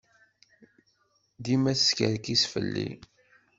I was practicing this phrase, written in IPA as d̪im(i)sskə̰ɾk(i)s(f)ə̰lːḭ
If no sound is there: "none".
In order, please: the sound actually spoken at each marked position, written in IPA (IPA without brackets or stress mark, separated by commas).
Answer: æ, i, f